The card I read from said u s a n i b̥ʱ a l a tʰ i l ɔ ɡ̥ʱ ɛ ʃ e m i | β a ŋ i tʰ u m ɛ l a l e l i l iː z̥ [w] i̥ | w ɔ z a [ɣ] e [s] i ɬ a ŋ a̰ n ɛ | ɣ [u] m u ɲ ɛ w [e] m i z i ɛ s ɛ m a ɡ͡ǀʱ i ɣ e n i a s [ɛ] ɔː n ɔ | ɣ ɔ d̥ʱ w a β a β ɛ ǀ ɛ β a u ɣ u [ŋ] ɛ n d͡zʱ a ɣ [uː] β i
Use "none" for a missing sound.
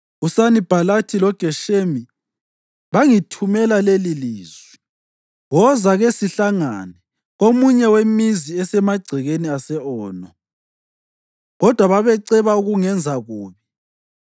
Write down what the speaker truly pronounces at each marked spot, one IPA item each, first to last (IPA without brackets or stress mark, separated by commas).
w, ɣ, s, o, e, ɛ, ŋ, uː